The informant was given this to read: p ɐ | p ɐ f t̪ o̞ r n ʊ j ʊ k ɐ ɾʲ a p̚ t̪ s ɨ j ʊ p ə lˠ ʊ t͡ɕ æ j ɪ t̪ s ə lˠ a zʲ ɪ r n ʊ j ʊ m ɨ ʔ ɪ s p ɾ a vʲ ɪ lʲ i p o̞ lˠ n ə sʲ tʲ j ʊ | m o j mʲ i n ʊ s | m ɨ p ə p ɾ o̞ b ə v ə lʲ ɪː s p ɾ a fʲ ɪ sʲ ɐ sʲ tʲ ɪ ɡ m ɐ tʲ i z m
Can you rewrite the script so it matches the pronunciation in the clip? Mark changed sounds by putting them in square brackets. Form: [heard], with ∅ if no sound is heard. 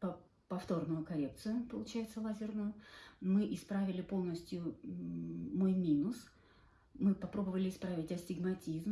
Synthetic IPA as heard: p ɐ | p ɐ f t̪ o̞ r n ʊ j ʊ k ɐ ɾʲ [e] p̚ t̪ s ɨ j ʊ p ə lˠ ʊ t͡ɕ æ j ɪ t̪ s ə lˠ a zʲ ɪ r n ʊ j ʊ m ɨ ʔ ɪ s p ɾ a vʲ ɪ lʲ [ɪ] p o̞ lˠ n ə sʲ tʲ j ʊ | m o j mʲ i n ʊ s | m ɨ p [ɐ] p ɾ o̞ b ə v ə lʲ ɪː s p ɾ a [vʲ] ɪ [tʲ] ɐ sʲ tʲ ɪ ɡ m ɐ tʲ i z m

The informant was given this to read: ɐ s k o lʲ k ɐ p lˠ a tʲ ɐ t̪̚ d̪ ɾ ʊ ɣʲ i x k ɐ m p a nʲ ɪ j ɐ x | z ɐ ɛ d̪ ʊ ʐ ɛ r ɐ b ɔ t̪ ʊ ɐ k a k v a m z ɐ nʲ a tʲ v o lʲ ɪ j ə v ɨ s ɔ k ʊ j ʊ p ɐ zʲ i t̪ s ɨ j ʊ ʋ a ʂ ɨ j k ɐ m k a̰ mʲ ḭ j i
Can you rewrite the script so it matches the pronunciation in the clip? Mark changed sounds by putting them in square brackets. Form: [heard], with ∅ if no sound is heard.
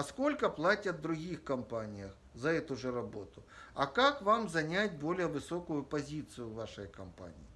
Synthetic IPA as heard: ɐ s k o lʲ k ɐ p lˠ a tʲ ɐ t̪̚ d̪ ɾ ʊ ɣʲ i x k ɐ m p a nʲ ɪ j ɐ x | z ɐ ɛ [t̪] ʊ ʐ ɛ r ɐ b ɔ t̪ ʊ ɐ k a k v a m z ɐ nʲ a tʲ [b] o lʲ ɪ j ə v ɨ s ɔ k ʊ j ʊ p ɐ zʲ i t̪ s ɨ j ʊ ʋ a ʂ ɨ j k ɐ m [p] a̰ [nʲ] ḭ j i

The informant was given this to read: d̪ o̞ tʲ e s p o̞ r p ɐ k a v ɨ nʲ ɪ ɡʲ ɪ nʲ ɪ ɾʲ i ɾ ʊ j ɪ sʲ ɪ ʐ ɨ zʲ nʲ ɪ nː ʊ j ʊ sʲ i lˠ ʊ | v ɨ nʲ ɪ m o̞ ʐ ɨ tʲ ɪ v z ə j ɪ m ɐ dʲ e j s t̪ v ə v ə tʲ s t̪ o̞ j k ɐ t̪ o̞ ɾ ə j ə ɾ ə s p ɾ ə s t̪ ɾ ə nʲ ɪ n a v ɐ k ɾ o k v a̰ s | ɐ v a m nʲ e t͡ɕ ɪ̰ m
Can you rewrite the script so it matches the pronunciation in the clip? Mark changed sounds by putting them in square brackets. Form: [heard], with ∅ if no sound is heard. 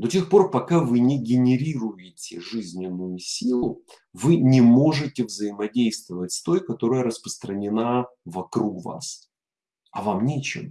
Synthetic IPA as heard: d̪ o̞ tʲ e [x] p o̞ r p ɐ k a v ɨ nʲ ɪ ɡʲ ɪ nʲ ɪ ɾʲ i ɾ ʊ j ɪ [tʲ] ɪ ʐ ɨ zʲ nʲ ɪ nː ʊ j ʊ sʲ i lˠ ʊ | v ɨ nʲ ɪ m o̞ ʐ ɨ tʲ ɪ v z ə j ɪ m ɐ dʲ e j s t̪ v ə v ə tʲ s t̪ o̞ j k ɐ t̪ o̞ ɾ ə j ə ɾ ə s p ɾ ə s t̪ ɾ ə nʲ ɪ n a v ɐ k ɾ [u] k v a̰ s | ɐ v a m nʲ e t͡ɕ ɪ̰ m

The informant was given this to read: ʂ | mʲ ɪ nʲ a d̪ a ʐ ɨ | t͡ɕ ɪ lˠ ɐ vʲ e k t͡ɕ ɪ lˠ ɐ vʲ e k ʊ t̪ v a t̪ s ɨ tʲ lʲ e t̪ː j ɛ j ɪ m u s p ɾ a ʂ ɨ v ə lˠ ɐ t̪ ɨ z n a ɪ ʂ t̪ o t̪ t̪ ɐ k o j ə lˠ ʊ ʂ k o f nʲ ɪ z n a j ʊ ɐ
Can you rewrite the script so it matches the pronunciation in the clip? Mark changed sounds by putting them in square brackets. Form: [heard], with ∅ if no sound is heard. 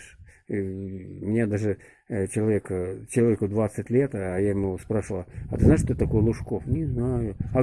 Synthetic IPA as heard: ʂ | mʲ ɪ nʲ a d̪ a ʐ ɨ | t͡ɕ ɪ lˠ ɐ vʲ e k t͡ɕ ɪ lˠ ɐ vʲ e k ʊ [d̪] v a t̪ s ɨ tʲ lʲ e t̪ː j [a] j ɪ m u s p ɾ a ʂ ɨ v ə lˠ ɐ t̪ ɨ z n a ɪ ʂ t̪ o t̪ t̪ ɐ k o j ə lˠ ʊ ʂ k o f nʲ ɪ z n a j ʊ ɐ

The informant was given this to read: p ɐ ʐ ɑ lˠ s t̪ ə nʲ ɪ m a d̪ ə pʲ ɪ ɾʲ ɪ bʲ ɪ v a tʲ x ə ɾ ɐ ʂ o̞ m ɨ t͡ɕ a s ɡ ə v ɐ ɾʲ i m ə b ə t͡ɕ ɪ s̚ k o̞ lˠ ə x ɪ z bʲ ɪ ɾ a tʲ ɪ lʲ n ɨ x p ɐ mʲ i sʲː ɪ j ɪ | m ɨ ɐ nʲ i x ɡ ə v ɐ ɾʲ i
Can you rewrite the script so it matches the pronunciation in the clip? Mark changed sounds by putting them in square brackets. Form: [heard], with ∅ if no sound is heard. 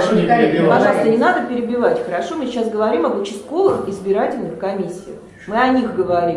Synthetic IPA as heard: p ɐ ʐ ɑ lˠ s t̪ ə nʲ ɪ [n] a d̪ ə pʲ ɪ ɾʲ ɪ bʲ ɪ v a tʲ x ə ɾ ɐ ʂ o̞ m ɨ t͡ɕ a s ɡ ə v ɐ ɾʲ i m [ɐ] b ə t͡ɕ ɪ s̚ k o̞ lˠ ə x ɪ z bʲ ɪ ɾ a tʲ ɪ lʲ n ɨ x [k] ɐ mʲ i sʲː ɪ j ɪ | m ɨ ɐ nʲ i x ɡ ə v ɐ ɾʲ i

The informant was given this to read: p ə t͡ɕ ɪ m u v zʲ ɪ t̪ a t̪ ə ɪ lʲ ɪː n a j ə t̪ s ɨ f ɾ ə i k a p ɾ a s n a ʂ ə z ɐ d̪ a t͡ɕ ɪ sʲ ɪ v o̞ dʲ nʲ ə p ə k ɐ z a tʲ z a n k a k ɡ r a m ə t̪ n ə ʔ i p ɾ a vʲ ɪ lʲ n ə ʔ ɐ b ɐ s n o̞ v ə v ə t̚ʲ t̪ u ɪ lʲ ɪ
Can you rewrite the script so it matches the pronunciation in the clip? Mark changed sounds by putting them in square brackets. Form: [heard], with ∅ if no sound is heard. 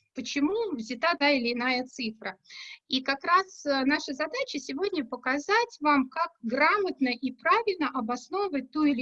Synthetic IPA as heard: p ə t͡ɕ ɪ m u v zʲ ɪ t̪ a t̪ [a] ɪ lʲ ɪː n a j ə t̪ s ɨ f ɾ ə i k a [k] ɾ a s n a ʂ ə z ɐ d̪ a t͡ɕ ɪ sʲ ɪ v o̞ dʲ nʲ ə p ə k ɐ z a tʲ [v] a [m] k a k ɡ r a m ə t̪ n ə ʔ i p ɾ a vʲ ɪ lʲ n ə ʔ ɐ b ɐ s n o̞ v ə v ə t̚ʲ t̪ u ɪ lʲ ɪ

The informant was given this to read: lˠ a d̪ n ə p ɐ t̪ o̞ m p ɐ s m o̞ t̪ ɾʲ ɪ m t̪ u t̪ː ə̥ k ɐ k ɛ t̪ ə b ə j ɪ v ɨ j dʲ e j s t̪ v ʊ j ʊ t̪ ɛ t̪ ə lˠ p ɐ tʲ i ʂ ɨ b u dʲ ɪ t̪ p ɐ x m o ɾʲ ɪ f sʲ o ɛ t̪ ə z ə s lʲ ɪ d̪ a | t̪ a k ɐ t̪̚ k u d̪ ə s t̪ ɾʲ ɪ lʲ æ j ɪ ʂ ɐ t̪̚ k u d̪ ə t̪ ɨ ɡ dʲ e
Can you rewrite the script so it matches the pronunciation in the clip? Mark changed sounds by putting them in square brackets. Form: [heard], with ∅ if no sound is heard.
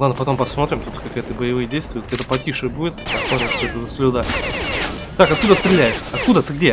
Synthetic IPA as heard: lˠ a d̪ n ə p ɐ t̪ o̞ m p ɐ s m o̞ t̪ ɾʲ ɪ m t̪ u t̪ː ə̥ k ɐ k ɛ t̪ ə b ə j ɪ v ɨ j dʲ e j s t̪ v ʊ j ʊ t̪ ɛ t̪ ə [∅] p ɐ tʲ i ʂ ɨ b u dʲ ɪ t̪ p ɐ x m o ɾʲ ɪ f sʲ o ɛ t̪ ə z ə s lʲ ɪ d̪ a | t̪ a k ɐ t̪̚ k u d̪ ə s t̪ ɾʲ ɪ lʲ æ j ɪ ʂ ɐ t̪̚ k u d̪ ə t̪ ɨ ɡ dʲ e

